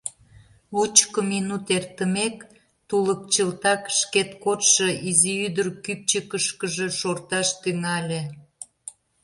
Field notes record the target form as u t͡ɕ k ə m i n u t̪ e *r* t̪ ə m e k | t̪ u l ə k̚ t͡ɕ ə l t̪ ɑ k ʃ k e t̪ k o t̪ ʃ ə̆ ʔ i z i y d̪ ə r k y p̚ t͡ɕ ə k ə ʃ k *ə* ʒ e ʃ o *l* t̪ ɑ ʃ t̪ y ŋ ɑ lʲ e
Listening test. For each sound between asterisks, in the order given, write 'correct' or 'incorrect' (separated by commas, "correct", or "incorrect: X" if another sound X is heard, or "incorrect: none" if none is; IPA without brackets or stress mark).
correct, correct, incorrect: r